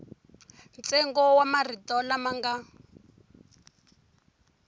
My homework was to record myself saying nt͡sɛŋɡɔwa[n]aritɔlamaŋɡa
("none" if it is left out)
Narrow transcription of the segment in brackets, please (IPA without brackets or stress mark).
m